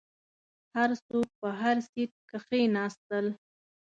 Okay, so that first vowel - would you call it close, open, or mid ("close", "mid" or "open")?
open